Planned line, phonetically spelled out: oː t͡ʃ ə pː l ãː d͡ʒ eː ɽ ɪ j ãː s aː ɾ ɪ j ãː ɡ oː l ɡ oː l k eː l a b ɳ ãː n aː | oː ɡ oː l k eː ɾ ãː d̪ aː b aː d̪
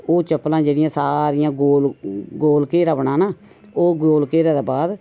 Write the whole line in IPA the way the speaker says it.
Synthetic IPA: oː t͡ʃ ə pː l ãː d͡ʒ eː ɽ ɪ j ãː s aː ɾ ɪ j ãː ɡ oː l ɡ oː l k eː ɾ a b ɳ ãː n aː | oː ɡ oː l k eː ɾ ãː d̪ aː b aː d̪

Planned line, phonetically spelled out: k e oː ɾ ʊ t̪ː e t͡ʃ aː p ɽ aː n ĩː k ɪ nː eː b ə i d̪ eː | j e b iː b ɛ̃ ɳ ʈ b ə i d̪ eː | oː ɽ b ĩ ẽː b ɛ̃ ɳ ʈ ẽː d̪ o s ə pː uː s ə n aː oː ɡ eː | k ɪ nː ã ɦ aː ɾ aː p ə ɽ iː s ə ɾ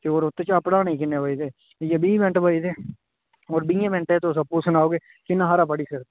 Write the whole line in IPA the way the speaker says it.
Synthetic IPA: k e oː ɾ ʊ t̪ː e t͡ʃ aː p ɽ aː n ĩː k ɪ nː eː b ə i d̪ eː | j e b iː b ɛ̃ ɳ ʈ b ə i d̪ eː | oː ɾ b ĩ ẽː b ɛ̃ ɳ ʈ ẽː t̪ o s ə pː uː s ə n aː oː ɡ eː | k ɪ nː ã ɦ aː ɾ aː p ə ɽ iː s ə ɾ

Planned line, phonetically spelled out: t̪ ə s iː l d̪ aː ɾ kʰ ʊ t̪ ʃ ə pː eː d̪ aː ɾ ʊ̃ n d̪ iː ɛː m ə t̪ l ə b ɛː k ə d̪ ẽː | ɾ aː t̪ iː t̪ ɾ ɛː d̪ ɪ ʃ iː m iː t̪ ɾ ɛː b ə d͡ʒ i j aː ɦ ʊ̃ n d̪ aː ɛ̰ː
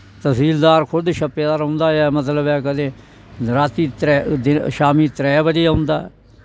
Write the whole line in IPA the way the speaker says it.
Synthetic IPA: t̪ ə s iː l d̪ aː ɾ kʰ ʊ d̪ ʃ ə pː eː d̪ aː ɾ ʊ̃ n d̪ aː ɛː m ə t̪ l ə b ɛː k ə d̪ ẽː | ɾ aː t̪ iː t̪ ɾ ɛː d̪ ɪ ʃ aː m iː t̪ ɾ ɛː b ə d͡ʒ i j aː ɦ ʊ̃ n d̪ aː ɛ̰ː

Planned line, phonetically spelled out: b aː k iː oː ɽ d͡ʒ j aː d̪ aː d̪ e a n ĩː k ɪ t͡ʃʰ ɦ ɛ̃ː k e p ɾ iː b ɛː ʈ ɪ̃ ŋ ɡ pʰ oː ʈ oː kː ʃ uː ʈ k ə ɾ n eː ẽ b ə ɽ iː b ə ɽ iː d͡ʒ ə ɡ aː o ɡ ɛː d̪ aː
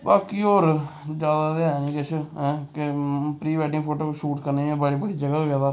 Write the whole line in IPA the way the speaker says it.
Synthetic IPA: b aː k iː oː ɾ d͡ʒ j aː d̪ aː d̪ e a n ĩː k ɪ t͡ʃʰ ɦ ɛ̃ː k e p ɾ iː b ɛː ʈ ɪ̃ ŋ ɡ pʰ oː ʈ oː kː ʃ uː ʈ k ə ɾ n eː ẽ b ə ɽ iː b ə ɽ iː d͡ʒ ə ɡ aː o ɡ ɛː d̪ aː

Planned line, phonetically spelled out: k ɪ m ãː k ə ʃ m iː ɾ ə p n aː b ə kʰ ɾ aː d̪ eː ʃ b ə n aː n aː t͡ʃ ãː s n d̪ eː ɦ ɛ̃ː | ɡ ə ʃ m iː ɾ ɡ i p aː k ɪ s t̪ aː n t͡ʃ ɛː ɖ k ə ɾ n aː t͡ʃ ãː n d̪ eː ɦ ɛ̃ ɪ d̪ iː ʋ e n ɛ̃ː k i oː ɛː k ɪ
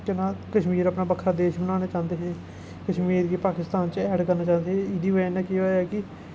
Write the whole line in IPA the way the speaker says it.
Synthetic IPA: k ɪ n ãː k ə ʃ m iː ɾ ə p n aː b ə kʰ ɾ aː d̪ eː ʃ b ə n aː n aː t͡ʃ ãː n d̪ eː ɦ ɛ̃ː | k ə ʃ m iː ɾ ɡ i p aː k ɪ s t̪ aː n t͡ʃ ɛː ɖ k ə ɾ n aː t͡ʃ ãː n d̪ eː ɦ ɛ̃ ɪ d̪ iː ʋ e n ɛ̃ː k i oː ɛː k ɪ

